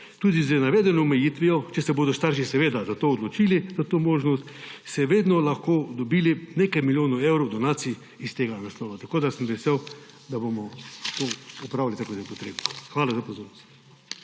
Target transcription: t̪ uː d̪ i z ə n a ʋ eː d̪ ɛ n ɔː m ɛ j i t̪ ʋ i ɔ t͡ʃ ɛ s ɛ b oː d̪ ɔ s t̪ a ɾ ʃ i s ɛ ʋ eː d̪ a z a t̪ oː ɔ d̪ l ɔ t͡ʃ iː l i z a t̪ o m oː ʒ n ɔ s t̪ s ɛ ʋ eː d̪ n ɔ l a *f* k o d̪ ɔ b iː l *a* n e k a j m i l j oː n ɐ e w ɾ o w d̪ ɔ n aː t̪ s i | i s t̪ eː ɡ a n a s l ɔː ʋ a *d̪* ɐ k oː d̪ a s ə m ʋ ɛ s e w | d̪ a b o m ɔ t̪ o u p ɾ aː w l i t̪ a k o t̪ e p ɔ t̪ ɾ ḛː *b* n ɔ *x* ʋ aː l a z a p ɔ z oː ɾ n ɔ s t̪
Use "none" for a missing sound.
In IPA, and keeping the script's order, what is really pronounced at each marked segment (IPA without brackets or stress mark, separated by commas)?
x, i, t̪, b, x